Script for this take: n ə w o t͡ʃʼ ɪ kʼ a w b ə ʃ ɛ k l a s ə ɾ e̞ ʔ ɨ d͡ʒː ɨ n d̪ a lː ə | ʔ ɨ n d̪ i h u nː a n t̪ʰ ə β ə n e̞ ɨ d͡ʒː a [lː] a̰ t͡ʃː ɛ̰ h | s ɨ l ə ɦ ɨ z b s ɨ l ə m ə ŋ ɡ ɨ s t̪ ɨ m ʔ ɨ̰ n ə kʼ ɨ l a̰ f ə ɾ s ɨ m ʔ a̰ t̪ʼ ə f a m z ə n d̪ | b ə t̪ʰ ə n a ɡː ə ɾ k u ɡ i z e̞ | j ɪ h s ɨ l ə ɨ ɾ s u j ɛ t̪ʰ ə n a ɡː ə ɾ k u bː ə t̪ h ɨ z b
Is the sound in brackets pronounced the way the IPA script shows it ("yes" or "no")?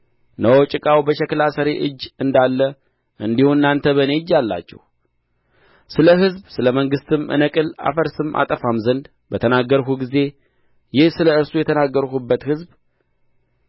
yes